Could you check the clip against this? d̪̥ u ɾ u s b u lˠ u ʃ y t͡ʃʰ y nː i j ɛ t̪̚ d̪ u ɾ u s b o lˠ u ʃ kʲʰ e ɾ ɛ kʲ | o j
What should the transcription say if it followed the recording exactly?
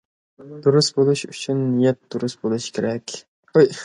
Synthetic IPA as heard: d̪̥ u ɾ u s b o lˠ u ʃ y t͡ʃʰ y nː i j ɛ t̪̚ d̪ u ɾ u s b o lˠ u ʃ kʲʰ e ɾ ɛ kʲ | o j